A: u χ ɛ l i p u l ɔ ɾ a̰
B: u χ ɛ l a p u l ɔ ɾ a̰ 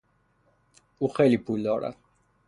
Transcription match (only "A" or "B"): A